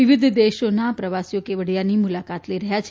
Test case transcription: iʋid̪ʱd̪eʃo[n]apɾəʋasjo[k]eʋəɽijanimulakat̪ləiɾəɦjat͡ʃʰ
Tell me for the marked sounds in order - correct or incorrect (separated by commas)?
correct, correct